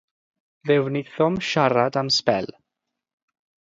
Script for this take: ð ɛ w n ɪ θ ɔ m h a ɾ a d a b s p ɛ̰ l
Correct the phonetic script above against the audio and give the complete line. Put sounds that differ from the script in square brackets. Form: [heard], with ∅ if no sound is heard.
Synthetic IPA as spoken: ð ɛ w n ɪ θ ɔ m [ʃ] a ɾ a d a [m] s p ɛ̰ l